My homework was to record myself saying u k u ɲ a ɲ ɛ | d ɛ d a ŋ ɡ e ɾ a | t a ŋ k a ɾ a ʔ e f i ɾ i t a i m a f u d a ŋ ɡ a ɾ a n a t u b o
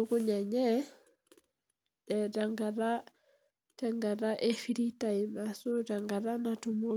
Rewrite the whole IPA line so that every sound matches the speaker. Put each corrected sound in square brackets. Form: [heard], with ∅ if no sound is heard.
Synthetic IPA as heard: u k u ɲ a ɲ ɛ | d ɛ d a ŋ ɡ [a] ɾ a | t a ŋ [ɡ] a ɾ a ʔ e f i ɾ i t a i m a [s] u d a ŋ ɡ a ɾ a n a t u [m] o